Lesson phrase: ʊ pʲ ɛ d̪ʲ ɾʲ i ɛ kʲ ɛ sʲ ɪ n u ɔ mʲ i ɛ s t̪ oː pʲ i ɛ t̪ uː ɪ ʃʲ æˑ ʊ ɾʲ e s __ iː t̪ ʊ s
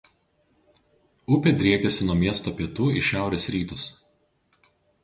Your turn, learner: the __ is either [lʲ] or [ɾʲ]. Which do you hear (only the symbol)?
ɾʲ